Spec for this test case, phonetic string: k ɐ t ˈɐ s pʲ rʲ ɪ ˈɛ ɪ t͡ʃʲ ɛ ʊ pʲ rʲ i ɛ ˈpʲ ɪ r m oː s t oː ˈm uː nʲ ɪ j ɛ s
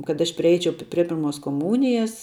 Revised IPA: k ɐ t ˈɐ ʃ pʲ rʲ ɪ ˈɛ ɪ t͡ʃʲ ɛ ʊ pʲ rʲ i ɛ ˈpʲ ɪ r m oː s k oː ˈm uː nʲ ɪ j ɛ s